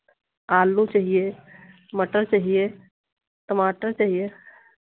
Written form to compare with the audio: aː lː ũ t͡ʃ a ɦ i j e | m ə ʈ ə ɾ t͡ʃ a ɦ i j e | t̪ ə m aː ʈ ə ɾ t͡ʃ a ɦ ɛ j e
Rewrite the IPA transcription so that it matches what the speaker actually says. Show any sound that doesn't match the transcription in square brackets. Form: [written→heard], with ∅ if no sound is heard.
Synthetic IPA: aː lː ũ t͡ʃ a ɦ i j e | m ə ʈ ə ɾ t͡ʃ a ɦ i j e | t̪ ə m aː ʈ ə ɾ t͡ʃ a ɦ [ɛ→i] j e

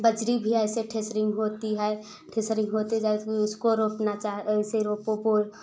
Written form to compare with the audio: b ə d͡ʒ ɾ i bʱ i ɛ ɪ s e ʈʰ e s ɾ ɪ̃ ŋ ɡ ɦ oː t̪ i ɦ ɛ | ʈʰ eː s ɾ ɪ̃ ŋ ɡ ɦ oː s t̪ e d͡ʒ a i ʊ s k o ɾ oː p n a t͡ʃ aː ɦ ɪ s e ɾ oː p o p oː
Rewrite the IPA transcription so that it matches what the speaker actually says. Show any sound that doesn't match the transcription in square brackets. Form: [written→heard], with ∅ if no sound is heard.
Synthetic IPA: b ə d͡ʒ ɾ i bʱ i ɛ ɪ s e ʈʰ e s ɾ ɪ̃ ŋ ɡ ɦ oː t̪ i ɦ ɛ | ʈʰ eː s ɾ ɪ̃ ŋ ɡ ɦ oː [s→∅] t̪ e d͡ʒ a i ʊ s k o ɾ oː p n a t͡ʃ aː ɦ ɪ s e ɾ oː p o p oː

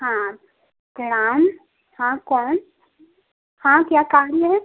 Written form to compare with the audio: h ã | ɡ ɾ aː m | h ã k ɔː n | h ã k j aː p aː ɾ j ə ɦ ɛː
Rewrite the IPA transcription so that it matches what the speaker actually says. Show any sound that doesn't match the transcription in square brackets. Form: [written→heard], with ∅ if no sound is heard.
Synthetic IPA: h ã | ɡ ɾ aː m | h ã k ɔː n | h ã k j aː [p→k] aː ɾ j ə ɦ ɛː

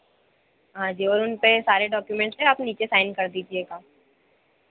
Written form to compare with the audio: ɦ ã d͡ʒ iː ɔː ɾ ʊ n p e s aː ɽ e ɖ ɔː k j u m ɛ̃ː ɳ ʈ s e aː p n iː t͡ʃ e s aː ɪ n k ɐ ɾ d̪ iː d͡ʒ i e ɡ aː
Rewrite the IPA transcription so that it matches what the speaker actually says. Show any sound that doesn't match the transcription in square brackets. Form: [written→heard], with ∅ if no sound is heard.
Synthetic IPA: ɦ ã d͡ʒ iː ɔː ɾ ʊ n p e s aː [ɽ→ɾ] e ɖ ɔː k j u m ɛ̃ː ɳ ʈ s e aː p n iː t͡ʃ e s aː ɪ n k ɐ ɾ d̪ iː d͡ʒ i e ɡ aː

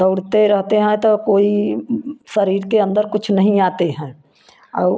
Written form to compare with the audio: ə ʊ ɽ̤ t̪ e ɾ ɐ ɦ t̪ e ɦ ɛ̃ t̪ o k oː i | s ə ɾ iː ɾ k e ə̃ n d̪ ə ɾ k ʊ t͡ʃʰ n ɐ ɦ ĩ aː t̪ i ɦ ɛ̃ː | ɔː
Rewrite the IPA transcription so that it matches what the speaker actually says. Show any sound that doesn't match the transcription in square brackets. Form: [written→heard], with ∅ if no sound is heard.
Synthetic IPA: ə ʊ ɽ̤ t̪ e ɾ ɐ ɦ t̪ e ɦ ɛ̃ t̪ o k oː i | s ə ɾ iː ɾ k e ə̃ n d̪ ə ɾ k ʊ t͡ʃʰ n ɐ ɦ ĩ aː t̪ [i→e] ɦ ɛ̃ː | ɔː

